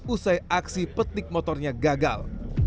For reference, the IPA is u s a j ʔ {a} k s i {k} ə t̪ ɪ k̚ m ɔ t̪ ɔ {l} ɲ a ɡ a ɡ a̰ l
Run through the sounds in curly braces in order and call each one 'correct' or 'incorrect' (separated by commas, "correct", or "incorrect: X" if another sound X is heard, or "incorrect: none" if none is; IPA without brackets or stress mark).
correct, incorrect: p, incorrect: r